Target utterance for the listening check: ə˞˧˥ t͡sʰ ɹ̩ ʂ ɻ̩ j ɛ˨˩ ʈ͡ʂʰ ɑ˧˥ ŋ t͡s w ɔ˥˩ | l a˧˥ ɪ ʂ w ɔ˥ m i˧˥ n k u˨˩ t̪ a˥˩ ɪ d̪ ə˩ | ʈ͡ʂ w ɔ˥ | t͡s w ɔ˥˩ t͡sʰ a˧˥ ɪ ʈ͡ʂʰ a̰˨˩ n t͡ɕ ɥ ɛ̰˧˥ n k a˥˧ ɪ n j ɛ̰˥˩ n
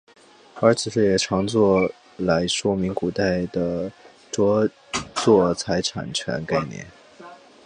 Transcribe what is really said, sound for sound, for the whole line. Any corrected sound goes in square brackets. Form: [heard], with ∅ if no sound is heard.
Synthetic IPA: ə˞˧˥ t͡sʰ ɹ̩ ʂ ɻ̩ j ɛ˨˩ ʈ͡ʂʰ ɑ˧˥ ŋ t͡s w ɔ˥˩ | l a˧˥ ɪ ʂ w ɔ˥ m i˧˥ [ŋ] k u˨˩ t̪ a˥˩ ɪ d̪ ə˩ | ʈ͡ʂ w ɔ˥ | t͡s w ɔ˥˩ t͡sʰ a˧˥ ɪ ʈ͡ʂʰ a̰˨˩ n [t͡ɕʰ] ɥ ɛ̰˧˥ n k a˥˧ ɪ n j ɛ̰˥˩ n